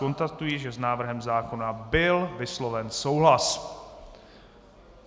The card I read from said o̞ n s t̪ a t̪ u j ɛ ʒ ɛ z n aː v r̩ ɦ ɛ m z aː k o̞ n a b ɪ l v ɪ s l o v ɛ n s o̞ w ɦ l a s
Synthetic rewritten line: o̞ n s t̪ a t̪ u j i ʒ ɛ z n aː v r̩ ɦ ɛ m z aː k o̞ n a b ɪ l v ɪ s l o v ɛ n s o̞ w ɦ l a s